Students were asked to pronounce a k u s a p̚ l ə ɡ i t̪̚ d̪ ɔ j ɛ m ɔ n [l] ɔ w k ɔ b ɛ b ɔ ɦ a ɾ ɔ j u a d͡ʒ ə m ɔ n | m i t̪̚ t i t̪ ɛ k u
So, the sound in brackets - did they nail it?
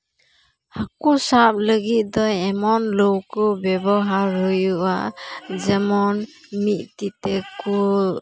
yes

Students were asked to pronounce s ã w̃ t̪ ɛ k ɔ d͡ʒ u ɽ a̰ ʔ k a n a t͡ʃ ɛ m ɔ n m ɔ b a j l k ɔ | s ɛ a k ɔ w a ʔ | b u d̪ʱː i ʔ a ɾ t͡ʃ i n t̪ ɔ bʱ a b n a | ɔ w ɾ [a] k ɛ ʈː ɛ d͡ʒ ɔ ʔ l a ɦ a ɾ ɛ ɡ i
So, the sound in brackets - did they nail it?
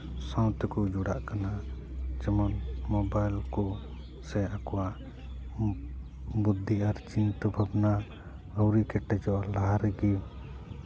no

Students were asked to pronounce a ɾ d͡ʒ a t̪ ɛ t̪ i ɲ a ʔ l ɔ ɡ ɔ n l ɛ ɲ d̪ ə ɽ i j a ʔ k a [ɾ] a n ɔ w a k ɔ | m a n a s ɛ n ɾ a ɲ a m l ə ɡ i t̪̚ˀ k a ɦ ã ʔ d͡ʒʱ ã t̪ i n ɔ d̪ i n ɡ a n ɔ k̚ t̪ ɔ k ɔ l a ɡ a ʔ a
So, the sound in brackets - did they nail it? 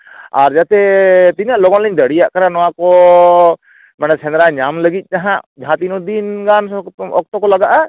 yes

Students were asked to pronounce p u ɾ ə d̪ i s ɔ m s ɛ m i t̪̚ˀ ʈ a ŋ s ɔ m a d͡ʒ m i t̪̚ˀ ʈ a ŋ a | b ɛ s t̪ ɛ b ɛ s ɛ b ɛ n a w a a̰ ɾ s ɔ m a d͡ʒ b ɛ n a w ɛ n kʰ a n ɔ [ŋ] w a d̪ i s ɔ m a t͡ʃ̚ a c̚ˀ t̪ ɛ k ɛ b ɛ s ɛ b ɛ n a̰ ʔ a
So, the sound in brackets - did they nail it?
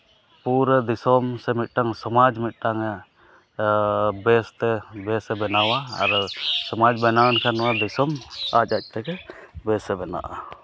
no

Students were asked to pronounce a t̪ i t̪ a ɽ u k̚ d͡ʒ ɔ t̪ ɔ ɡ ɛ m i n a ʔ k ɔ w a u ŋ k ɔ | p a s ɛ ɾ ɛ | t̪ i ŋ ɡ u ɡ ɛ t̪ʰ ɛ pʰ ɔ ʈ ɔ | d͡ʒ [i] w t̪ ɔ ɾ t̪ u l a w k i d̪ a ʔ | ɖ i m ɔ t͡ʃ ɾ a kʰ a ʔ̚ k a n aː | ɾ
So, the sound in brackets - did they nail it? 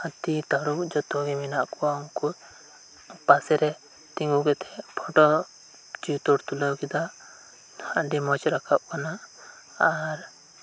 yes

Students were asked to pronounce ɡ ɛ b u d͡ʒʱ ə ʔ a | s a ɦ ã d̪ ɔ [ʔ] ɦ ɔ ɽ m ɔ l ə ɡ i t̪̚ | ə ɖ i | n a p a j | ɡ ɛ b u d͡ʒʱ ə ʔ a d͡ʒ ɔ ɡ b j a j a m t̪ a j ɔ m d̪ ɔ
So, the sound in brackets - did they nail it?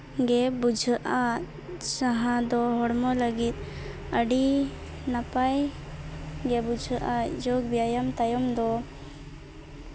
no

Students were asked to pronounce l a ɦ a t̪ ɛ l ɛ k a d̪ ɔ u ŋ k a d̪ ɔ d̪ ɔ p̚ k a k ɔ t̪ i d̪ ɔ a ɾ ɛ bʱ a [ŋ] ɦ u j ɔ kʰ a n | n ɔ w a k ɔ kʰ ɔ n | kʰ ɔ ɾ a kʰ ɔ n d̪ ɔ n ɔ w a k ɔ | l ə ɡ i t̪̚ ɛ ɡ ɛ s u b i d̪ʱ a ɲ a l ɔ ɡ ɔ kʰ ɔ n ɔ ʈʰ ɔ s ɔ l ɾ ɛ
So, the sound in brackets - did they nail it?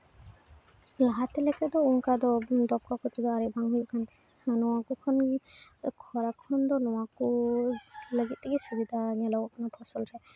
yes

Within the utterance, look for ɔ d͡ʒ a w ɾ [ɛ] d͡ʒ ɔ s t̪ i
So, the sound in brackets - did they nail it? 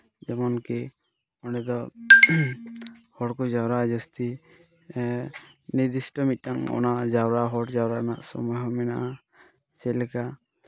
no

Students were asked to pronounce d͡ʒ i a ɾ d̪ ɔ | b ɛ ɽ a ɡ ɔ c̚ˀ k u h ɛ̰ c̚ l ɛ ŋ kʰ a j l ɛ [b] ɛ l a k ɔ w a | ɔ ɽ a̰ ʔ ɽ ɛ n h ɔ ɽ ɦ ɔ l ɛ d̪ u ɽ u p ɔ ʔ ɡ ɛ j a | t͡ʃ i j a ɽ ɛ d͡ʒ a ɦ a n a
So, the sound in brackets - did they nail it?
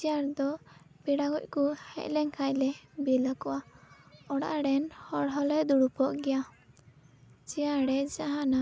yes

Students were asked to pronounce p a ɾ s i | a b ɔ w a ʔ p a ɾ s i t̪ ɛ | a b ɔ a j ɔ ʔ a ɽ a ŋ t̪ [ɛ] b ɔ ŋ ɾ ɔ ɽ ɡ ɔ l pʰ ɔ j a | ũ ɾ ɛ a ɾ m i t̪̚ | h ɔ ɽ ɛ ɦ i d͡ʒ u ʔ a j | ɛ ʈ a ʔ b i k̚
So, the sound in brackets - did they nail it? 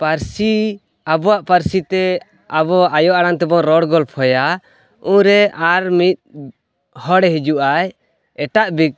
yes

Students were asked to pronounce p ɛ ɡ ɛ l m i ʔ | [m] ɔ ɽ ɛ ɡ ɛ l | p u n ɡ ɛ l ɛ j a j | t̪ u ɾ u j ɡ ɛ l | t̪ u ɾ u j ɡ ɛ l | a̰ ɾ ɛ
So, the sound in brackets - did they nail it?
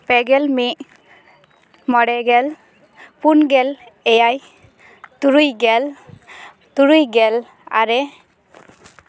yes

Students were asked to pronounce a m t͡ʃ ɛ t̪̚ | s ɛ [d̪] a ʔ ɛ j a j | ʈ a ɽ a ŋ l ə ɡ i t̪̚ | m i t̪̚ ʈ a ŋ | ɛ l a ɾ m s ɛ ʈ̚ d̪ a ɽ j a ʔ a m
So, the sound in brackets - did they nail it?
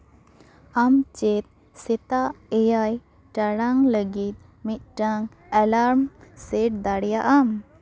no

